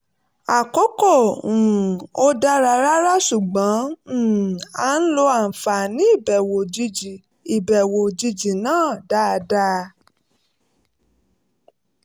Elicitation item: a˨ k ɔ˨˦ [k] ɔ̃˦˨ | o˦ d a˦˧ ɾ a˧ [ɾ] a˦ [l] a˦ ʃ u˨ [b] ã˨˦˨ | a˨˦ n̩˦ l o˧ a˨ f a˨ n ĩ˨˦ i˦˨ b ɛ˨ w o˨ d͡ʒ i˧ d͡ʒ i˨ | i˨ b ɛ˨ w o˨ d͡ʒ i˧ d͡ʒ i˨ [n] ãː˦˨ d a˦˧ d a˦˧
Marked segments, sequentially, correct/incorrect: correct, correct, incorrect, incorrect, correct

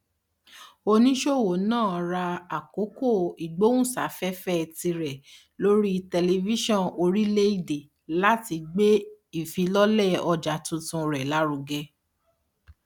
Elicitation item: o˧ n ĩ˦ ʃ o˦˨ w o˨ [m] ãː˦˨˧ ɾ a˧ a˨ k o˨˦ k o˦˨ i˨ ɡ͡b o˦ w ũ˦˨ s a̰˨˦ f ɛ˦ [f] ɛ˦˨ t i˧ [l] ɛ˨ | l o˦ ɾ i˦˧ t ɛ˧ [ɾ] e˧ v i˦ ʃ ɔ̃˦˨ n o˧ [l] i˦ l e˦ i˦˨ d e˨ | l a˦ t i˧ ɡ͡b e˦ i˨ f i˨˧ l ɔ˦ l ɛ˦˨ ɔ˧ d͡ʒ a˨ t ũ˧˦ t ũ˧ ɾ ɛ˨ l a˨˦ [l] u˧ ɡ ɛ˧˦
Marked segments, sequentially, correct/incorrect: incorrect, correct, incorrect, incorrect, incorrect, incorrect

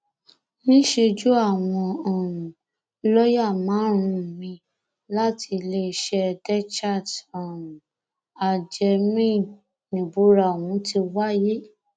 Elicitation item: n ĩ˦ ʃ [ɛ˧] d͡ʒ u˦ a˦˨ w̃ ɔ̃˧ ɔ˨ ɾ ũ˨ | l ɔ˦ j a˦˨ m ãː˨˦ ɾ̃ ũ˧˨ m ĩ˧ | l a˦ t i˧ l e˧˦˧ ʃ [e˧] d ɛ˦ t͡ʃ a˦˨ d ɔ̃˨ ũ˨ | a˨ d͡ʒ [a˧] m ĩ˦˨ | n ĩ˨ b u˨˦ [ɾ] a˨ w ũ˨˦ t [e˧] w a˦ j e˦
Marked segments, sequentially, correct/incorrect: incorrect, incorrect, incorrect, correct, incorrect

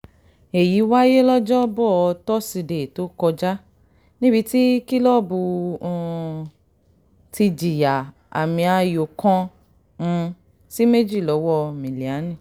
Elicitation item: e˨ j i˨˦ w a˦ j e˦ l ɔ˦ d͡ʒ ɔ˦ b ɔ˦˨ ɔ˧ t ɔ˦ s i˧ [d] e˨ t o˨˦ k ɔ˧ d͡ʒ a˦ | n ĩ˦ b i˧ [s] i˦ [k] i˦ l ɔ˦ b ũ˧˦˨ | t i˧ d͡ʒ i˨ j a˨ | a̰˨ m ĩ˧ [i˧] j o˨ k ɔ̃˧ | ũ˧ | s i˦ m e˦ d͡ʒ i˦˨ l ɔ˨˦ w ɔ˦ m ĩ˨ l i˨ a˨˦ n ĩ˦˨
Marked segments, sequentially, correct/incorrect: correct, incorrect, correct, incorrect

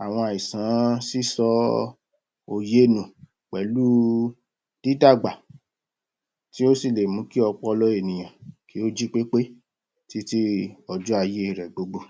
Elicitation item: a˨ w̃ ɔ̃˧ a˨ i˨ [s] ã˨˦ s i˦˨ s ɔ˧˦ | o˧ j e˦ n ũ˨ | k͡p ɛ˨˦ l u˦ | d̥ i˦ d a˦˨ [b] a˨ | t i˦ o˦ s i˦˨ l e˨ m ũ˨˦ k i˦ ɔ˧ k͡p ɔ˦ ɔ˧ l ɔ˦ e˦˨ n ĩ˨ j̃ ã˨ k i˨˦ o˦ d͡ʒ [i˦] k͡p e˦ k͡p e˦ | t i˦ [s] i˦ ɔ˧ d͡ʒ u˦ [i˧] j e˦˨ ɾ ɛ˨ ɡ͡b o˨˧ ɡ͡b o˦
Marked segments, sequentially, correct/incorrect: correct, incorrect, correct, incorrect, incorrect

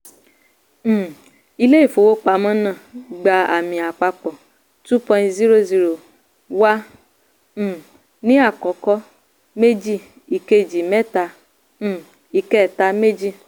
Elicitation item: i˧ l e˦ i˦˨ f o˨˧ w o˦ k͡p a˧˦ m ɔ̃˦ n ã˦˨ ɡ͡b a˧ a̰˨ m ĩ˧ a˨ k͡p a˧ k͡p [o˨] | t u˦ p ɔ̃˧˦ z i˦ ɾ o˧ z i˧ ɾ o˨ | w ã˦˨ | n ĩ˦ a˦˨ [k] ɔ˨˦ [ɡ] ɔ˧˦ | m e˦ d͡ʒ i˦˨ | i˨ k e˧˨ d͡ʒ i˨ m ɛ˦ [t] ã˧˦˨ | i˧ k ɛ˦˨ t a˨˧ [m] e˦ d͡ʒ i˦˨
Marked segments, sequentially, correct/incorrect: incorrect, correct, incorrect, correct, correct

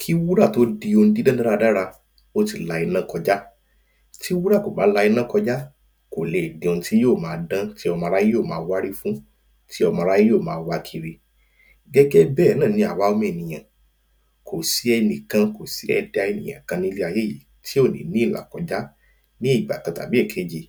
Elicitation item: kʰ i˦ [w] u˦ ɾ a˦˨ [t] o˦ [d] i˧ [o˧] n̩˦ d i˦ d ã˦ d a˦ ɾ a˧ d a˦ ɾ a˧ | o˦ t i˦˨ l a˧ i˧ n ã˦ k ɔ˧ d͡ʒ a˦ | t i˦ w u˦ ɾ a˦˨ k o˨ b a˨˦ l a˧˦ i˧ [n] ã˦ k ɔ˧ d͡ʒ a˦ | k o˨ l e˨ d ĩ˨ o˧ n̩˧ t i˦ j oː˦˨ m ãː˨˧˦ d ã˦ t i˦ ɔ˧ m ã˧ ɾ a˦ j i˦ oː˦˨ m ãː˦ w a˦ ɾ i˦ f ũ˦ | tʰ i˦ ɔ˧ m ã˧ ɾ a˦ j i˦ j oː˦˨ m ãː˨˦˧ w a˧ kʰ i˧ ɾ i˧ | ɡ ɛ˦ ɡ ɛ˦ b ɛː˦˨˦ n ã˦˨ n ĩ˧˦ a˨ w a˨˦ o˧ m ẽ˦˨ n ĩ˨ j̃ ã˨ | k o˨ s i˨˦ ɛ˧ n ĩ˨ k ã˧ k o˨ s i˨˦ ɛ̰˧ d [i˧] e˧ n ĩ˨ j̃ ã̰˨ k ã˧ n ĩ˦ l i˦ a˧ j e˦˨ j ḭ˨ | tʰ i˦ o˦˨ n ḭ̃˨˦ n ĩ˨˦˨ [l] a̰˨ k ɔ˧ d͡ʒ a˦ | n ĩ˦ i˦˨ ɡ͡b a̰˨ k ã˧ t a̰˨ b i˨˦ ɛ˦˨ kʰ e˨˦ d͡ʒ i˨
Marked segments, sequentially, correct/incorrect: correct, correct, correct, correct, correct, incorrect, correct

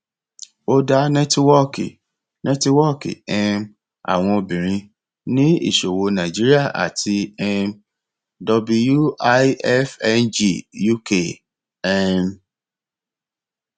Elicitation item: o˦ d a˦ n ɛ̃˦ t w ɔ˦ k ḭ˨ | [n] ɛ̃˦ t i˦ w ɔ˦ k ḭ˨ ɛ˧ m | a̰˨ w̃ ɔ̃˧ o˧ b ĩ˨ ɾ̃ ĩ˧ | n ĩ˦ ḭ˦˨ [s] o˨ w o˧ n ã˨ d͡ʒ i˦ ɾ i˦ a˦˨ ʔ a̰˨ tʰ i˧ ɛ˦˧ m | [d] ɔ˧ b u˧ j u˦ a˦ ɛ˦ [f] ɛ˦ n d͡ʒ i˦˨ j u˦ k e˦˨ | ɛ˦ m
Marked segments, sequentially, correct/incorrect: correct, incorrect, correct, correct

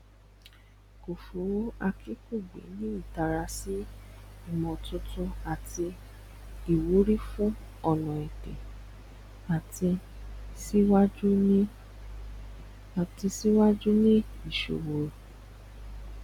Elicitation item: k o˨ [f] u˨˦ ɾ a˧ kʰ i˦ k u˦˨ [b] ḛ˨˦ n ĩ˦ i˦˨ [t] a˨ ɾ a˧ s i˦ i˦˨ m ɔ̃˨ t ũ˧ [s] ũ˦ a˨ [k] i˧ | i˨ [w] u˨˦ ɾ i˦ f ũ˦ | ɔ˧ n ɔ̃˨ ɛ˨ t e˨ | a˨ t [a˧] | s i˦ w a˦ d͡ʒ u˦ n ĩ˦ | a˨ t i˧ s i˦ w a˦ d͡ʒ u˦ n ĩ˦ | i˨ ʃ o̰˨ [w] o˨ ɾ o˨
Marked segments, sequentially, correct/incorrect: correct, incorrect, correct, incorrect, incorrect, correct, incorrect, correct

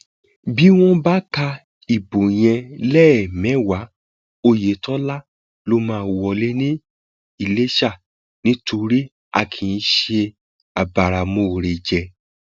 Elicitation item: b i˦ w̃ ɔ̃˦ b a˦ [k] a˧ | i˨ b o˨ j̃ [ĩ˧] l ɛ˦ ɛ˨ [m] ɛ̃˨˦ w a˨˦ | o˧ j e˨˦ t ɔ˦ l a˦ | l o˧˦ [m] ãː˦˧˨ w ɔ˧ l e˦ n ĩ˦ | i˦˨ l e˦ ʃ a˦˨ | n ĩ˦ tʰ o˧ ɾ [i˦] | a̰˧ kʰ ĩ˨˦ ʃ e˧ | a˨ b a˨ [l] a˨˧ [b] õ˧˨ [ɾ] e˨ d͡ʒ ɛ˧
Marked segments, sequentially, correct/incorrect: correct, incorrect, correct, correct, correct, incorrect, incorrect, correct

